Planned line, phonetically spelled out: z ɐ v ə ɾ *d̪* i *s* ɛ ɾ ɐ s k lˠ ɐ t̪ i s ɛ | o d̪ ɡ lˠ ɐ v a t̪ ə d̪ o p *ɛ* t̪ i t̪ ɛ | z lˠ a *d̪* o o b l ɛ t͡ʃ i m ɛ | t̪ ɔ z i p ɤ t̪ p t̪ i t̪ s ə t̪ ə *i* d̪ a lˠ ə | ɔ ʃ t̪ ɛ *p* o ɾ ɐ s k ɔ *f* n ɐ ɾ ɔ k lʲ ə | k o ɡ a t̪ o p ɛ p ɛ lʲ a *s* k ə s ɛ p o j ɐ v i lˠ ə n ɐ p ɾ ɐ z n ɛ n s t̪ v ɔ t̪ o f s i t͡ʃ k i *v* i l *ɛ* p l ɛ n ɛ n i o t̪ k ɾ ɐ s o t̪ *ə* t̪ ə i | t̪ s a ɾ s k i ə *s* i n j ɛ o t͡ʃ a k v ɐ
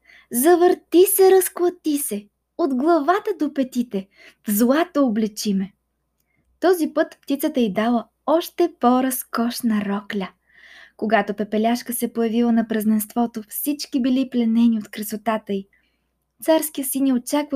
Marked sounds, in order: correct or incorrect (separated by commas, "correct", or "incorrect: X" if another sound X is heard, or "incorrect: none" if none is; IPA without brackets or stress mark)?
incorrect: t̪, correct, correct, incorrect: t̪, correct, correct, incorrect: ʃ, incorrect: ʃ, incorrect: b, incorrect: i, incorrect: a, correct